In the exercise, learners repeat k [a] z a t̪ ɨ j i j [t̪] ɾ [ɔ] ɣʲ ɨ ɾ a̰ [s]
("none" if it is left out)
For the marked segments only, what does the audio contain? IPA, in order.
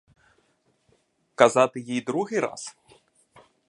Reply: a, d̪, u, s

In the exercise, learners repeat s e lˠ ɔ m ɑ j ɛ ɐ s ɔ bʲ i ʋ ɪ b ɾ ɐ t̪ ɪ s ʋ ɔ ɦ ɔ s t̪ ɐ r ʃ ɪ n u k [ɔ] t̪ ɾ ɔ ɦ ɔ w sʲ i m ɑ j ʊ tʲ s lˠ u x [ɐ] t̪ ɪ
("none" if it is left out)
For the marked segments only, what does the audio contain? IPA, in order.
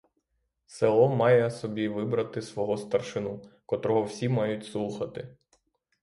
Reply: ɔ, ɐ

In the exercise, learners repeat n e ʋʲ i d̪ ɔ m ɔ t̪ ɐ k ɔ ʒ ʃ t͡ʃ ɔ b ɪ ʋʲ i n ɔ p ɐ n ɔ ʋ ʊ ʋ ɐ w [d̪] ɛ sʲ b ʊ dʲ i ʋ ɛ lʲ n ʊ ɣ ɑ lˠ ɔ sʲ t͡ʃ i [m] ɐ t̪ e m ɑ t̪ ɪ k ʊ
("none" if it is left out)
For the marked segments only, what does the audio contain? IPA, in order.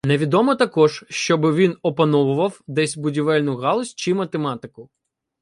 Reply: d̪, m

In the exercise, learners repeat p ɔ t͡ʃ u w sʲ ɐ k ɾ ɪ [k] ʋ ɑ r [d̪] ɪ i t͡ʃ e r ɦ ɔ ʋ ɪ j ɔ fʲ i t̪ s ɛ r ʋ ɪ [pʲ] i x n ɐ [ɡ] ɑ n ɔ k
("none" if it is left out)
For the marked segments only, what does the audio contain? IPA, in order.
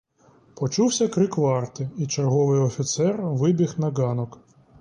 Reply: k, t̪, bʲ, ɡ

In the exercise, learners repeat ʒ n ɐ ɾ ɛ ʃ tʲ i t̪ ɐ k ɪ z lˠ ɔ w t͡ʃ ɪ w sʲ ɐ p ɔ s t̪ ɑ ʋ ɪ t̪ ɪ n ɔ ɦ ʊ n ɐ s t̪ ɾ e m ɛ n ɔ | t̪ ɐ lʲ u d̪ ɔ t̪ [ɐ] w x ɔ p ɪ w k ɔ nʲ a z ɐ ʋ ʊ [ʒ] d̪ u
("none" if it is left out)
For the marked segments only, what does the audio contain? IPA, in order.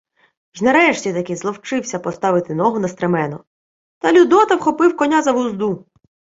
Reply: ɐ, z

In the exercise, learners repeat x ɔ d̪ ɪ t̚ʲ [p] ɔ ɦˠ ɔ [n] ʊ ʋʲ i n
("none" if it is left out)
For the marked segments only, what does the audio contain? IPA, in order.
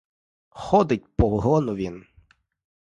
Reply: p, n

